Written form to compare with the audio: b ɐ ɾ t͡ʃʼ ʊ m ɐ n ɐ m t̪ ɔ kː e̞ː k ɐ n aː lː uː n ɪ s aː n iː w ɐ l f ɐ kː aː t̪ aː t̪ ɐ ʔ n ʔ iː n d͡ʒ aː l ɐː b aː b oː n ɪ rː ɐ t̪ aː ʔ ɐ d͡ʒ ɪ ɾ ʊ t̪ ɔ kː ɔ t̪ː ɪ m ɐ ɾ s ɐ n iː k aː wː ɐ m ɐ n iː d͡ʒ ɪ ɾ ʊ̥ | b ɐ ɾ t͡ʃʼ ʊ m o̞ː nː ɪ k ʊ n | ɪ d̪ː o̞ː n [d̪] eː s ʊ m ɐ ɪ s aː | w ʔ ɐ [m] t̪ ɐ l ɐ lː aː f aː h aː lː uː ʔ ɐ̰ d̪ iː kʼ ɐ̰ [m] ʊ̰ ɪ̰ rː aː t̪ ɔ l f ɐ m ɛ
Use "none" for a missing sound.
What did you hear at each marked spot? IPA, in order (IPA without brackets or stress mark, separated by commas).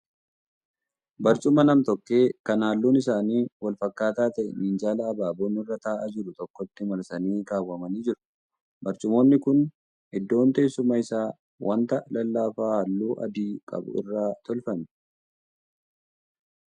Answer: t̪, n, b